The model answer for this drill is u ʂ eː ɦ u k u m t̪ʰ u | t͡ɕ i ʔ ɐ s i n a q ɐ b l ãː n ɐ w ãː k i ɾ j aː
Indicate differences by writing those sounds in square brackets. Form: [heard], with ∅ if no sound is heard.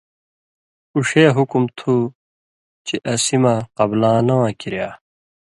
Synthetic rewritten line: u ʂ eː ɦ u k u m t̪ʰ u | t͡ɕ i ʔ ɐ s i [m] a q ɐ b l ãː n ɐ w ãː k i ɾ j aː